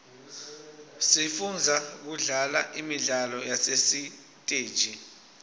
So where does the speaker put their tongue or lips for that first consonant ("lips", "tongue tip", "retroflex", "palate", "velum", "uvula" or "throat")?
tongue tip